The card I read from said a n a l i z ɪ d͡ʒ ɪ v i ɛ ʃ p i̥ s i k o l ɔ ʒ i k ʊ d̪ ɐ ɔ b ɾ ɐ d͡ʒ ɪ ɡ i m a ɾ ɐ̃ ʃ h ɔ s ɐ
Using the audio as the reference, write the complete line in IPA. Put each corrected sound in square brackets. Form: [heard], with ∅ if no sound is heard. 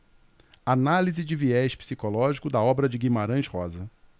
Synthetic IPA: a n a l i z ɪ d͡ʒ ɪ v i ɛ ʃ p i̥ s i k o l ɔ ʒ i k ʊ d̪ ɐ ɔ b ɾ ɐ d͡ʒ ɪ ɡ i m a ɾ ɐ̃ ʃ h ɔ [z] ɐ